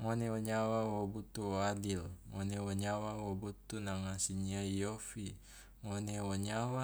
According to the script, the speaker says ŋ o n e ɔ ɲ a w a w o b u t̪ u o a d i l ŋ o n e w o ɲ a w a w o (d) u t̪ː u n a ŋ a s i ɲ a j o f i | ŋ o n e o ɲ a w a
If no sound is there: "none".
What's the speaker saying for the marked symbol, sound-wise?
b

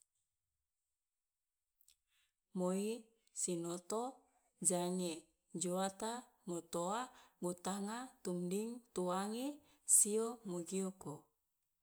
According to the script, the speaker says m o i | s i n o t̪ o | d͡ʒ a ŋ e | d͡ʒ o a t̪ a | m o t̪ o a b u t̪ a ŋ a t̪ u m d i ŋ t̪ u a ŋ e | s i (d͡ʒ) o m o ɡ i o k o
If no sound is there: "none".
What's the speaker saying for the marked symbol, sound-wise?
none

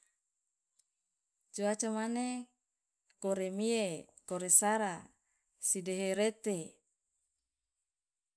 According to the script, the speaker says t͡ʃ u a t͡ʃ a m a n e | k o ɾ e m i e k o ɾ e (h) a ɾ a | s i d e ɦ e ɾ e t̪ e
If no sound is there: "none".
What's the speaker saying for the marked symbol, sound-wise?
s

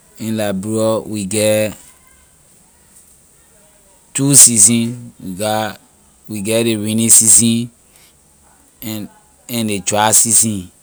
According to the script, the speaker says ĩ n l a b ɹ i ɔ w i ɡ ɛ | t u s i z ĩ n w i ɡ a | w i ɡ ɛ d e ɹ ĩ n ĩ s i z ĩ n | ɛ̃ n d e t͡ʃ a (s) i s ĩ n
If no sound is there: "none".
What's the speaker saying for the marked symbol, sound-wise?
s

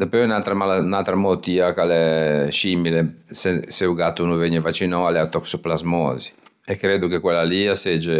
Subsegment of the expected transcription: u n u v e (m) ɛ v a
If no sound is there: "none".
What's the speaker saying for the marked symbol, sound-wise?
ɲ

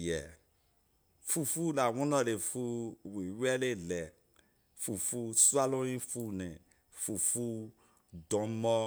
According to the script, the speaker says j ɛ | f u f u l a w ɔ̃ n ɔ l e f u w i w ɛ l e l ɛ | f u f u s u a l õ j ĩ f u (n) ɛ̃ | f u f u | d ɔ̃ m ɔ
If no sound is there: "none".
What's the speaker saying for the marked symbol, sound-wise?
n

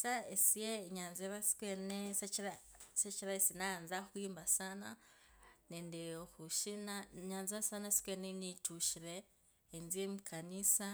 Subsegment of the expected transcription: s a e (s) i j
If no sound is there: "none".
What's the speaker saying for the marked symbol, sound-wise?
s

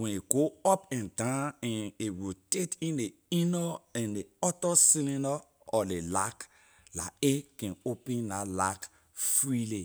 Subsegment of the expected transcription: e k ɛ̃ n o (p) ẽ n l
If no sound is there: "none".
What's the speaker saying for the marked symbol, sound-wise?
p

